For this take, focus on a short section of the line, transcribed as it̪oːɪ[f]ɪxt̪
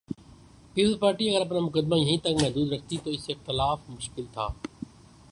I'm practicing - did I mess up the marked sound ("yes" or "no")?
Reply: yes